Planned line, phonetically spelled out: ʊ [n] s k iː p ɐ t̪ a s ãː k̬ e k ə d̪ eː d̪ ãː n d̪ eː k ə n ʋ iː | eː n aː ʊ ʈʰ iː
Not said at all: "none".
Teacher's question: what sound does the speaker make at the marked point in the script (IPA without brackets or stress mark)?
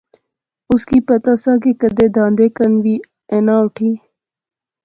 none